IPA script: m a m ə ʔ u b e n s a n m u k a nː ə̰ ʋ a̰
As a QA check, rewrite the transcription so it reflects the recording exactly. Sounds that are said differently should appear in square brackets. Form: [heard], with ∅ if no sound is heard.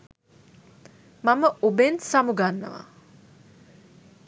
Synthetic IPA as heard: m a m ə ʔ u b e n s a [∅] m u [ɡ] a nː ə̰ ʋ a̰